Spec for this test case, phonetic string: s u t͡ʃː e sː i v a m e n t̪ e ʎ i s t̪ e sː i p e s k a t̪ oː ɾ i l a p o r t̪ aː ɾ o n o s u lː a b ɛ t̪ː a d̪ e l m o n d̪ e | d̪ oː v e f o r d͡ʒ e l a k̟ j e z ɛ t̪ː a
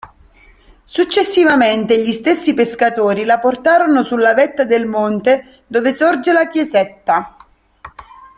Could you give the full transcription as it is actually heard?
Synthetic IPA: s u t͡ʃː e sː i v a m e n t̪ e ʎ i s t̪ e sː i p e s k a t̪ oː ɾ i l a p o r t̪ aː ɾ o n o s u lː a v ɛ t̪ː a d̪ e l m o n t̪ e | d̪ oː v e s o r d͡ʒ e l a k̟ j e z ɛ t̪ː a